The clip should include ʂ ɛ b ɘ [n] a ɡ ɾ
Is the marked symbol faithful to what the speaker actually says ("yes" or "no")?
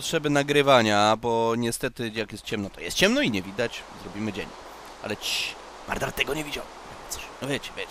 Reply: yes